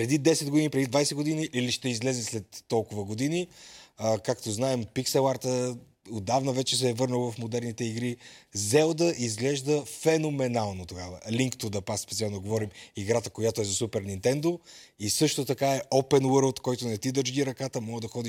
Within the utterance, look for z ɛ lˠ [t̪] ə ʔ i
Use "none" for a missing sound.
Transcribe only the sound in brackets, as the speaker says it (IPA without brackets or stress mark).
d̪